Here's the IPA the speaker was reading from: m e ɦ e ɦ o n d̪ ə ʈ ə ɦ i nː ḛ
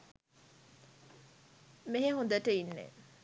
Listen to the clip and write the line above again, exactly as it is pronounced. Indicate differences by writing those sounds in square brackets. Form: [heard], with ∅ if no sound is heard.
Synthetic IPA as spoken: m e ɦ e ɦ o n d̪ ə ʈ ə [∅] i nː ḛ